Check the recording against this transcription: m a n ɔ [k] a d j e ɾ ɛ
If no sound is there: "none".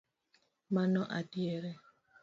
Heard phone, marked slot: ʔ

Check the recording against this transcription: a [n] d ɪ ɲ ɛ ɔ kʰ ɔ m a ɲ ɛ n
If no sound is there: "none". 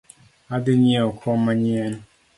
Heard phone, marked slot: none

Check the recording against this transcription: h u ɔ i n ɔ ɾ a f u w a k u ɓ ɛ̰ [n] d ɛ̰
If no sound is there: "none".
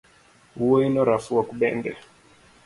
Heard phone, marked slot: n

